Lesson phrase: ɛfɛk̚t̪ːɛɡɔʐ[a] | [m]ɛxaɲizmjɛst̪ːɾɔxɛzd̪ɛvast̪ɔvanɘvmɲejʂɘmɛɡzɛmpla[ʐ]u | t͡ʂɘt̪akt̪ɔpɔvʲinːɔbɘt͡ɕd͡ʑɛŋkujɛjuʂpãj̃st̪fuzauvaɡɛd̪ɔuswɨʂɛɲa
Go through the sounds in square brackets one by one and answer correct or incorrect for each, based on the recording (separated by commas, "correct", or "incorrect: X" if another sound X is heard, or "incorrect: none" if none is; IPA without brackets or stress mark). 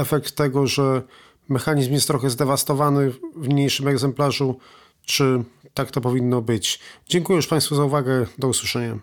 incorrect: ɛ, correct, correct